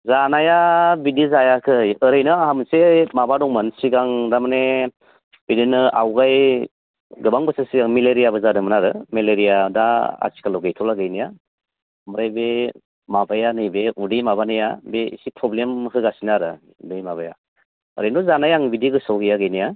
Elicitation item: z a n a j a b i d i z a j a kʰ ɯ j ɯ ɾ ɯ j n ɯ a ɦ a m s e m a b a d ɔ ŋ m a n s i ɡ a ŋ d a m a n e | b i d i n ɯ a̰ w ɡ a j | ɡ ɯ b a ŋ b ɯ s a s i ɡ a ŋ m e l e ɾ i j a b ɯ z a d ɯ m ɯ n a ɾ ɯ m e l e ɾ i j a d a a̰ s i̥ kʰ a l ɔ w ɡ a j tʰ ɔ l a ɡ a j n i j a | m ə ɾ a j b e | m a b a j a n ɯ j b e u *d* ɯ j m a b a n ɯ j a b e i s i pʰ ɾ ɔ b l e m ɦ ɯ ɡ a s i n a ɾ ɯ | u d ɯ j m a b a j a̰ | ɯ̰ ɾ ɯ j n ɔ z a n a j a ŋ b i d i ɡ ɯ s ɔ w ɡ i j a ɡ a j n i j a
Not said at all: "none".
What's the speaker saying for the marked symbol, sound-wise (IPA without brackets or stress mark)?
d